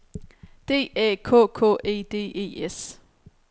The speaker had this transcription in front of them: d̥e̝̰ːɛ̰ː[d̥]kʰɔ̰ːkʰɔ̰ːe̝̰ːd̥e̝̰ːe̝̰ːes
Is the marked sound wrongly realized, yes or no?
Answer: yes